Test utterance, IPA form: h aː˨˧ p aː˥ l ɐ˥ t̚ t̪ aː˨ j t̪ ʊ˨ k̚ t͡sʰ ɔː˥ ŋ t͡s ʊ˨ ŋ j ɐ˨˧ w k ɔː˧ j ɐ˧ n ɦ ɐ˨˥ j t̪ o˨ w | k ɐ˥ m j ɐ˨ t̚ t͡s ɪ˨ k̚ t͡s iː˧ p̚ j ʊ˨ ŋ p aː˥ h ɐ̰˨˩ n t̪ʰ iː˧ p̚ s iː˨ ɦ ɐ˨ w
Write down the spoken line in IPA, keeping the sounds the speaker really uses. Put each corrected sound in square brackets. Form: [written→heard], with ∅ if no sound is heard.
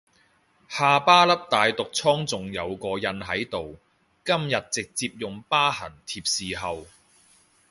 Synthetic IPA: h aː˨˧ p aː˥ l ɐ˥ [t̚→p̚] t̪ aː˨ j t̪ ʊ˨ k̚ t͡sʰ ɔː˥ ŋ t͡s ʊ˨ ŋ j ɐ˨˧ w k ɔː˧ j ɐ˧ n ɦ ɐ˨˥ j t̪ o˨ w | k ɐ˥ m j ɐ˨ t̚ t͡s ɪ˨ k̚ t͡s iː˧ p̚ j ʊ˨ ŋ p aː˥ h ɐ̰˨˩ n t̪ʰ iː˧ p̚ s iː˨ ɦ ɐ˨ w